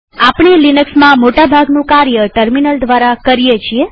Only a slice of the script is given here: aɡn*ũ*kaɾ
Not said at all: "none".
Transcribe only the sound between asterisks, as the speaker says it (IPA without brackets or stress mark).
ũ